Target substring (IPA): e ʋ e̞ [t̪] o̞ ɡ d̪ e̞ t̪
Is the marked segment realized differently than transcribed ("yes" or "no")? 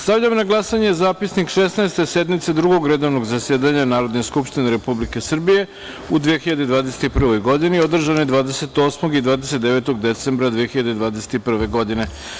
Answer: no